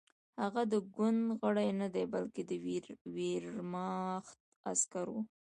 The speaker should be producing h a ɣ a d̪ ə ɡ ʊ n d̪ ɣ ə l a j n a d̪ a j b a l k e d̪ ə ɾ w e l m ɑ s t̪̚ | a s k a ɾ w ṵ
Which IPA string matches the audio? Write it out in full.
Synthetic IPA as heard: h a ɣ a d̪ ə ɡ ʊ n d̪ ɣ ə ɽ a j n a d̪ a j b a l k e d̪ ə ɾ w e ɾ m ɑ x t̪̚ | a s k a ɾ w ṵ